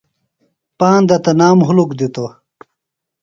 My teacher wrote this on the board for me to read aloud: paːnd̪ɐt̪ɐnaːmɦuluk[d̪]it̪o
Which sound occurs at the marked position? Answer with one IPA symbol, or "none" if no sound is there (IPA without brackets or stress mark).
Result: d̪